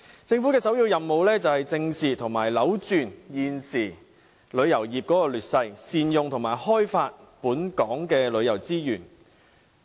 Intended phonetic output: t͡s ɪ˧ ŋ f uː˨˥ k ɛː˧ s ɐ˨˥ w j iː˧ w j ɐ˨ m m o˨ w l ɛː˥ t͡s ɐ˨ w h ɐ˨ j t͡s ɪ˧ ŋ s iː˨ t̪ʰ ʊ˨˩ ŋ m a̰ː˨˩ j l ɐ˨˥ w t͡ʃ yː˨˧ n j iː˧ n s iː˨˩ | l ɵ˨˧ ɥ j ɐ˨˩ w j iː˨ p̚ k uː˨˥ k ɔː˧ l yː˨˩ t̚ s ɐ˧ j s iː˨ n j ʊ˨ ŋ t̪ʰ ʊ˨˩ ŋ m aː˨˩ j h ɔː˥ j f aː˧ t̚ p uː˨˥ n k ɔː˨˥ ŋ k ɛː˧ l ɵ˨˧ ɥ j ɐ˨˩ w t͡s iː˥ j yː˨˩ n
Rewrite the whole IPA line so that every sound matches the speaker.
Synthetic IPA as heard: t͡s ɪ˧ ŋ f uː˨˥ k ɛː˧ s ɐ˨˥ w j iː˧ w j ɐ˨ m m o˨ w l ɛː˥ t͡s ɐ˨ w h ɐ˨ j t͡s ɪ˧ ŋ s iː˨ t̪ʰ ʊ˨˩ ŋ m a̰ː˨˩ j l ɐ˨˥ w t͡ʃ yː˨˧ n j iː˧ n s iː˨˩ | l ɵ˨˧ ɥ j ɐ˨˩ w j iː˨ p̚ k ɔː˨˥ k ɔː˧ l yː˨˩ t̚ s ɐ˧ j s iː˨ n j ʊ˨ ŋ t̪ʰ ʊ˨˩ ŋ m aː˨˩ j h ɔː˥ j f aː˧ t̚ p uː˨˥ n k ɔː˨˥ ŋ k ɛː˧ l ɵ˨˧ ɥ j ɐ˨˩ w t͡s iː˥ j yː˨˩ n